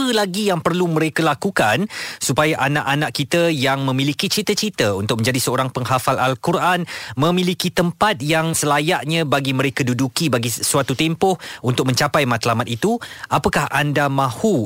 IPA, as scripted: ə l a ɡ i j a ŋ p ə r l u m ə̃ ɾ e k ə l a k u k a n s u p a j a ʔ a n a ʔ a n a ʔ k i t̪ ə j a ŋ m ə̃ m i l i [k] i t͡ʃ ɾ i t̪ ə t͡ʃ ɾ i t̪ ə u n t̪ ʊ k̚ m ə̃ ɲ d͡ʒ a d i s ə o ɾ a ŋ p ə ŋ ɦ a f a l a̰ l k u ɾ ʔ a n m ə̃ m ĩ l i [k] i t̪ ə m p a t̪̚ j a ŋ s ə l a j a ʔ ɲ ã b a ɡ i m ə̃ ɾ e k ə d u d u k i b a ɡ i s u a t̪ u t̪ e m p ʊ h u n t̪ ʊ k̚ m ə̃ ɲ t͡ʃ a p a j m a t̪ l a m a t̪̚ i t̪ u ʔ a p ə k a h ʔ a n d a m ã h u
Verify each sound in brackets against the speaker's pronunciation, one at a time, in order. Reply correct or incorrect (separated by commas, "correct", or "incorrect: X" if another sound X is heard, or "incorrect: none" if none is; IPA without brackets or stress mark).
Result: correct, correct